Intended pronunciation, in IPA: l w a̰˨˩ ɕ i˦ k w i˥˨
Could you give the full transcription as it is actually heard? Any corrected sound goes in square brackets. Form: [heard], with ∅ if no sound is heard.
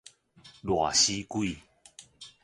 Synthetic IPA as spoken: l w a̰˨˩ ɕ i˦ k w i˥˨